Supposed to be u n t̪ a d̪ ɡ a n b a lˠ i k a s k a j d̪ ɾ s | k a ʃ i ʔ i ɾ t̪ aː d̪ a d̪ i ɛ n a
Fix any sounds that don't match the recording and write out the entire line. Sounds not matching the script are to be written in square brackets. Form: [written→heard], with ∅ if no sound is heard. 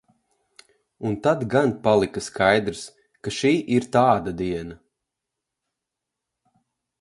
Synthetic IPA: u n t̪ a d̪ ɡ a n [b→p] a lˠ i k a s k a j d̪ ɾ s | k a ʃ [i→iː] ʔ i ɾ t̪ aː d̪ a d̪ i ɛ n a